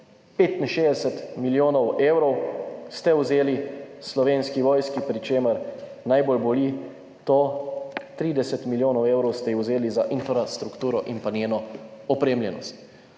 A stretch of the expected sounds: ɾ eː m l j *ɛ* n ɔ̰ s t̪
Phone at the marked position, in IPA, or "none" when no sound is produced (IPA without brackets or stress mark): ɛ